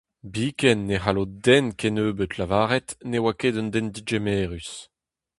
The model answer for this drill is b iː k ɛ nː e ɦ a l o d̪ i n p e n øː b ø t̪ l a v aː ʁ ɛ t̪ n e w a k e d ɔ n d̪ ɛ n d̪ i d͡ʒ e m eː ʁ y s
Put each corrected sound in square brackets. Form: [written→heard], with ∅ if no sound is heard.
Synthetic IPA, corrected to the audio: b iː k ɛ nː e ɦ a l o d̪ [i→ɛ] n [p→k] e n øː b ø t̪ l a v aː ʁ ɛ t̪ n e w a k e d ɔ n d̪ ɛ n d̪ i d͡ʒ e m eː ʁ y s